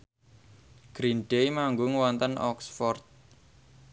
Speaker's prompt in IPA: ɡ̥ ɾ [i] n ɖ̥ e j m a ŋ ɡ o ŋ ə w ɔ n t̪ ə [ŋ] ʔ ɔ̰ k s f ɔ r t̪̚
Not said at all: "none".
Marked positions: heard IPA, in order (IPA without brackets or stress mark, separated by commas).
i, n